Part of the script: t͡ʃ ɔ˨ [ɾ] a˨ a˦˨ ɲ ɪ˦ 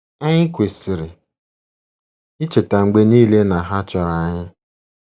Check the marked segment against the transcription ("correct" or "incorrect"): correct